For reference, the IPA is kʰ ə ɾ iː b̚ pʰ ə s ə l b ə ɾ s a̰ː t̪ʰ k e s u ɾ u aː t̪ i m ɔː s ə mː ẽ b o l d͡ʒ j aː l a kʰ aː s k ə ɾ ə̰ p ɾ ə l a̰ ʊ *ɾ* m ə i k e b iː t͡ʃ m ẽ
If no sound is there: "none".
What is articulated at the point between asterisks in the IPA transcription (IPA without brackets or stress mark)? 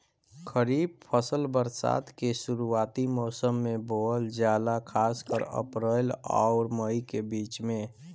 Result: ɾ